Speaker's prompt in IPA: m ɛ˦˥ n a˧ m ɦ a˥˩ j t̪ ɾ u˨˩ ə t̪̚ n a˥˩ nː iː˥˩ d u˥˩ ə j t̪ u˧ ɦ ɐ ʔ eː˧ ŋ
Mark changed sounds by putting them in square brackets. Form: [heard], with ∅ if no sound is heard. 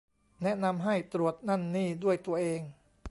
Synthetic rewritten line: [n] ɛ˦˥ n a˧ m ɦ a˥˩ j t̪ ɾ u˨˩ ə t̪̚ n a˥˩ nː iː˥˩ d u˥˩ ə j t̪ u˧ [∅] ɐ ʔ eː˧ ŋ